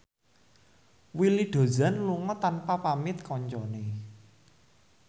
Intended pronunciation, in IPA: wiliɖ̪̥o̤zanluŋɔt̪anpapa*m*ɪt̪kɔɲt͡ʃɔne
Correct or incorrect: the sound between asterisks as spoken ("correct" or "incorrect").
correct